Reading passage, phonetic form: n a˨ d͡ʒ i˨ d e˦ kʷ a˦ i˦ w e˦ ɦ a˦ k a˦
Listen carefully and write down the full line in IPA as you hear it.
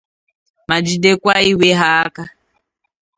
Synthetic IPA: m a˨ d͡ʒ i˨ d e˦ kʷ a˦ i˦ w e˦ ɦ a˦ k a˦